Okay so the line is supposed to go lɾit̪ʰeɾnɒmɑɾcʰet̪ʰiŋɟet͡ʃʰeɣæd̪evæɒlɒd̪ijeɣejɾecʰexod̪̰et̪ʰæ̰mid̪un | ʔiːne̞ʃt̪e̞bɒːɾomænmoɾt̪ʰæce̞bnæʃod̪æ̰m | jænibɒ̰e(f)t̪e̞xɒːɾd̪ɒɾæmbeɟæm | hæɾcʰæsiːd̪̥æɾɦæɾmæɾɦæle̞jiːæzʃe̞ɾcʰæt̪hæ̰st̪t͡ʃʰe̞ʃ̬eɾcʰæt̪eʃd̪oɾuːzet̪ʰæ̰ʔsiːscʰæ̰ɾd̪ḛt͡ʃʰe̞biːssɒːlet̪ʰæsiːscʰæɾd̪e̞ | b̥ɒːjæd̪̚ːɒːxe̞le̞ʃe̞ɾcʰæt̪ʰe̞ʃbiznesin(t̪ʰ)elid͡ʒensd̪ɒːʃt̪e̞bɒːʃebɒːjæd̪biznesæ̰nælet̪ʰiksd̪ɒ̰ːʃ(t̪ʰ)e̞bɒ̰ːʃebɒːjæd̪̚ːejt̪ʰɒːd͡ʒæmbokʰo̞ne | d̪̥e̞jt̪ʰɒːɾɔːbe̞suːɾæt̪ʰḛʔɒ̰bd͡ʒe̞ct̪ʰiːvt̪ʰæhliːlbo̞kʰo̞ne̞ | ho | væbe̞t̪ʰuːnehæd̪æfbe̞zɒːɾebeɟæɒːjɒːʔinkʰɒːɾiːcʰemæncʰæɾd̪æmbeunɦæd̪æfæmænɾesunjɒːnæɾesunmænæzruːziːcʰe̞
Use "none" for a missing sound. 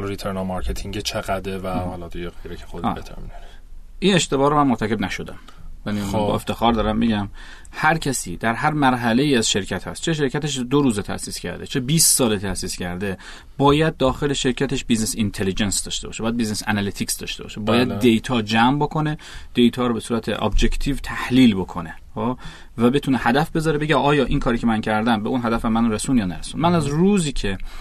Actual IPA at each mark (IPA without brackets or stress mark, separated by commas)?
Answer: f, t̪ʰ, t̪